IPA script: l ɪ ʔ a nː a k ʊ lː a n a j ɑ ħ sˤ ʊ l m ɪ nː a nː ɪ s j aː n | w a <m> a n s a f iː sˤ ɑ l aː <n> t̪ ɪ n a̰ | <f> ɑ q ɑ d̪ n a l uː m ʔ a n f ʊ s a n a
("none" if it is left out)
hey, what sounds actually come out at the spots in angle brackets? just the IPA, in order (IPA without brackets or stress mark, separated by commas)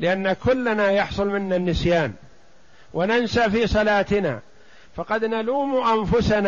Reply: n, none, f